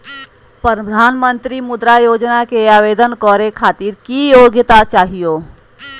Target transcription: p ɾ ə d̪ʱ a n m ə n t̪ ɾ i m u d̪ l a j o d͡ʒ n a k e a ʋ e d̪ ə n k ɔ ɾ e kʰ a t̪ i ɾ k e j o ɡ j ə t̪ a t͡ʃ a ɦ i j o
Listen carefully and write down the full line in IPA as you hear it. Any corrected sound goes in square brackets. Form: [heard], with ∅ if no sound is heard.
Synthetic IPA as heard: p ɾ ə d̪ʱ a n m ə n t̪ ɾ i m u d̪ [ɾ] a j o d͡ʒ n a k e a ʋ e d̪ ə n k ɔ ɾ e kʰ a t̪ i ɾ k [i] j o ɡ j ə t̪ a t͡ʃ a ɦ i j o